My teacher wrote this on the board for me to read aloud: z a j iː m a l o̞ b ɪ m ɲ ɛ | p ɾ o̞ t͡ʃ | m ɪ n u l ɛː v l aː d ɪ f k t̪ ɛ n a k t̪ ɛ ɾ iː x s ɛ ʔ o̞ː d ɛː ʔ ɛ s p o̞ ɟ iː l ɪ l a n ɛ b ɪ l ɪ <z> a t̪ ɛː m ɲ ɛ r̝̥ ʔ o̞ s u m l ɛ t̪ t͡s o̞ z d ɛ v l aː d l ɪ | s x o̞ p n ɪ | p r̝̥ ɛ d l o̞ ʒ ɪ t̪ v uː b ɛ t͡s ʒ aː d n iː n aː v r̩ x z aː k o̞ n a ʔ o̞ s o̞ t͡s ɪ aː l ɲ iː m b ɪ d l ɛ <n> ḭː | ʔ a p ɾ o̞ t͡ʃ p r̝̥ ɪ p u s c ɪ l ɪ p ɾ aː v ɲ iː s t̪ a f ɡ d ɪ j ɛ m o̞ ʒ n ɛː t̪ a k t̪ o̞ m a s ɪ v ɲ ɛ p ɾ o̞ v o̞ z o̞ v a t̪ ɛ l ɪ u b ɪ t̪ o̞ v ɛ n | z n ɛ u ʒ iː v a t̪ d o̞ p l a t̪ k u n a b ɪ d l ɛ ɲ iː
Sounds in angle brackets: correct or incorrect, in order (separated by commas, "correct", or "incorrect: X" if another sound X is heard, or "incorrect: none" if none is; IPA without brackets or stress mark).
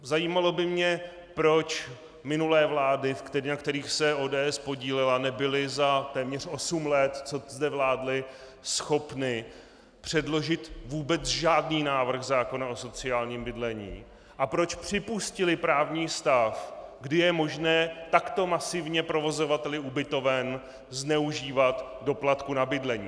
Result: correct, incorrect: ɲ